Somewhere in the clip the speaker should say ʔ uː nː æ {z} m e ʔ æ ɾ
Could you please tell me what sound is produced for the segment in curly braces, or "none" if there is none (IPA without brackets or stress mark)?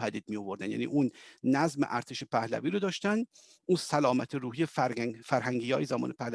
z